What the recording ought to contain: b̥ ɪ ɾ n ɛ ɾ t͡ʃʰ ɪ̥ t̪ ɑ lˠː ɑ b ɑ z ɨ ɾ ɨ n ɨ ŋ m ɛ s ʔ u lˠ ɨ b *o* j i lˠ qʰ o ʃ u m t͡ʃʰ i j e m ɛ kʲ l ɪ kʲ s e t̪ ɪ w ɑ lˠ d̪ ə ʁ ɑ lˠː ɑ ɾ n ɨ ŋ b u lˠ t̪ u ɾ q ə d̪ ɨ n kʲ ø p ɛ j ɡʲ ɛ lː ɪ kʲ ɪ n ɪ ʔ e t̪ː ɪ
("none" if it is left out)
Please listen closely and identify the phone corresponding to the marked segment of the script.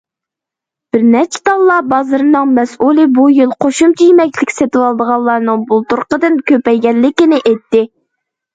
u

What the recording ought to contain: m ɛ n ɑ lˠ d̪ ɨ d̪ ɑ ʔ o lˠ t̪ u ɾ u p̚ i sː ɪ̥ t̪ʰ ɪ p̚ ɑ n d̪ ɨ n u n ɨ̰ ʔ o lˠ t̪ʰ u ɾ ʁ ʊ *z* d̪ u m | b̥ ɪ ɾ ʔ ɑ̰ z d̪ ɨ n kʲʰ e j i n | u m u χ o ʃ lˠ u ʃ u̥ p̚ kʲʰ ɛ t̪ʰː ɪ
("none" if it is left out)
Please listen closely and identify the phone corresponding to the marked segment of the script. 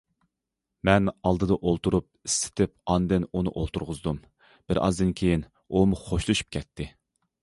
z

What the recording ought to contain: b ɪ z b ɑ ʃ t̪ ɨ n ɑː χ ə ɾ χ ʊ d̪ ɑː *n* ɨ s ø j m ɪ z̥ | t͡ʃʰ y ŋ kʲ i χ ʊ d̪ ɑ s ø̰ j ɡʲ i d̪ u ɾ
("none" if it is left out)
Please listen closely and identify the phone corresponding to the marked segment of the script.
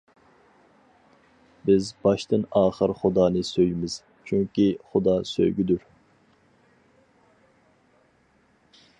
n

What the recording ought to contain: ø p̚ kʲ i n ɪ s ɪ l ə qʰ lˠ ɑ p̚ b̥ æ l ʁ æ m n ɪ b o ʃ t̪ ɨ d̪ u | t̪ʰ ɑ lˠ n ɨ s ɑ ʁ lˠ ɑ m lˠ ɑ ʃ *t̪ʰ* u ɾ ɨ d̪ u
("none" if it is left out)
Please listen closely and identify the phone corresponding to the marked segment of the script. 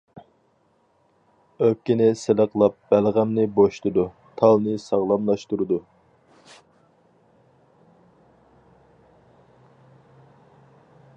t̪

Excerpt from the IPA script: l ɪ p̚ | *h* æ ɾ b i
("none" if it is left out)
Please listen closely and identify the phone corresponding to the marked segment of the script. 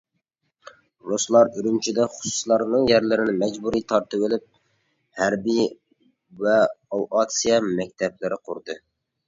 h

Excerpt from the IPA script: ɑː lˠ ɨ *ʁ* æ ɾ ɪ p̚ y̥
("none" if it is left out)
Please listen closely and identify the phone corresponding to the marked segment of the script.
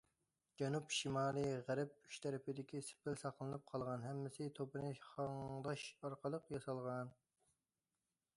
ʁ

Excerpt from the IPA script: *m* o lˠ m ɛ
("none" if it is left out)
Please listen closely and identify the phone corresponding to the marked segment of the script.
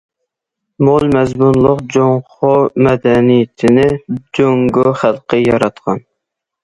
m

